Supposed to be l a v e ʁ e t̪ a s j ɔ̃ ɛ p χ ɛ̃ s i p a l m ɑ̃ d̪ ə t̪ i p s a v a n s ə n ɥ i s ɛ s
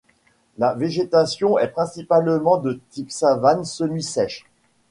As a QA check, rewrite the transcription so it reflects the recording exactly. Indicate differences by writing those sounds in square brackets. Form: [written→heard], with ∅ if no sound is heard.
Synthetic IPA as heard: l a v e [ʁ→ʒ] e t̪ a s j ɔ̃ ɛ p χ ɛ̃ s i p a l m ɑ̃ d̪ ə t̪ i p s a v a n s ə n ɥ i s ɛ [s→ʃ]